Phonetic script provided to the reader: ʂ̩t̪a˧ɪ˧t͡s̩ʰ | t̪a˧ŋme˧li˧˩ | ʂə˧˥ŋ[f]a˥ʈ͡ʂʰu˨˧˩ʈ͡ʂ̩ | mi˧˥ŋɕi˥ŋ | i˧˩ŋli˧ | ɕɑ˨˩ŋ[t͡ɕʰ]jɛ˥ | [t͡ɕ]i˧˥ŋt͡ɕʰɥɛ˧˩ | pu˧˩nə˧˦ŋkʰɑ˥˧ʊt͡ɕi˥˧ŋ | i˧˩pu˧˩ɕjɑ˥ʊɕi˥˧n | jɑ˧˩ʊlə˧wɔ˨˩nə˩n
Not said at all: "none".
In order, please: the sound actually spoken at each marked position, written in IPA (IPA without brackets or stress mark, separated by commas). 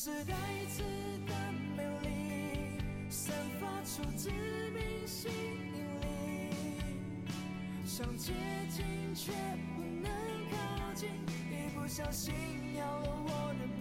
f, t͡ɕ, t͡ɕ